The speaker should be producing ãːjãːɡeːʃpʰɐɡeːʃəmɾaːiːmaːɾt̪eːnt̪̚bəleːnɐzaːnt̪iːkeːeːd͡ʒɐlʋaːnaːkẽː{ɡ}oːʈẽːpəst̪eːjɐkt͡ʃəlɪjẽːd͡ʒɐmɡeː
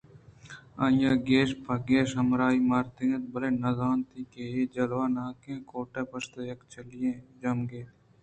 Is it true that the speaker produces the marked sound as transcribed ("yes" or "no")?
no